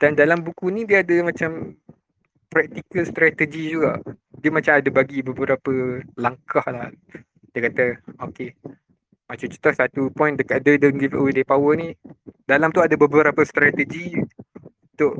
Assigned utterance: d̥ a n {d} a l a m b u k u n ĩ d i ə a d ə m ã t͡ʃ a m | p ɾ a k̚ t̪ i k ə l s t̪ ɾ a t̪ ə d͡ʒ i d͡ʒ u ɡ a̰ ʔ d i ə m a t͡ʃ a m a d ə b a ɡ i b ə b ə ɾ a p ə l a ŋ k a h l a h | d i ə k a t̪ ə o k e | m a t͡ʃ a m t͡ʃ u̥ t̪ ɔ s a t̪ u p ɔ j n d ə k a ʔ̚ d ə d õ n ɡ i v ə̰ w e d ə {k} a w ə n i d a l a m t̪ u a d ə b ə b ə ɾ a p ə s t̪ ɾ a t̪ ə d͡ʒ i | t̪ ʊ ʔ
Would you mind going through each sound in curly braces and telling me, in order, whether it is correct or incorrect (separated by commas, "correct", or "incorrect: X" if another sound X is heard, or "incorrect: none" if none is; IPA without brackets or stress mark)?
correct, incorrect: p